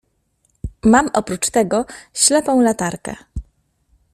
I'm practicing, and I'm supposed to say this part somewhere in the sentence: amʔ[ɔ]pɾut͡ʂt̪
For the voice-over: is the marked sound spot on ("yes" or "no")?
yes